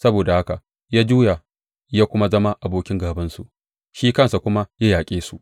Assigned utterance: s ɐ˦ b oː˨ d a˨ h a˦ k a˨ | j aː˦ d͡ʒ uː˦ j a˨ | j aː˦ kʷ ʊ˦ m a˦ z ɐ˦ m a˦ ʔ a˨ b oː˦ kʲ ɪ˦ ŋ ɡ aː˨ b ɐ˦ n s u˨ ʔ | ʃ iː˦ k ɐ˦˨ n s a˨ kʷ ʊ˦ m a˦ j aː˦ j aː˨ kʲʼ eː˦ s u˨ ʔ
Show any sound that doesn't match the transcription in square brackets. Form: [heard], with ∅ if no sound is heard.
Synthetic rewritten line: s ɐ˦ b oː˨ d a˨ h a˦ k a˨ | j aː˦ d͡ʒ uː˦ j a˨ | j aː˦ kʷ ʊ˦ m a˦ z ɐ˦ m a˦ ʔ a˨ b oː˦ kʲ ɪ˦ ŋ ɡ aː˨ b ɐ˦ n s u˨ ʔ | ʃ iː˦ k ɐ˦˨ n s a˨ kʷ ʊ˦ m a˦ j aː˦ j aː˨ kʲʼ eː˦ s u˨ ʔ